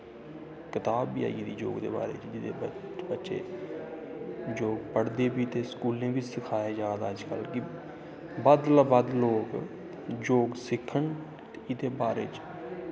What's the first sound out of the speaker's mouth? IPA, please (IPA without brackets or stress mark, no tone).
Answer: k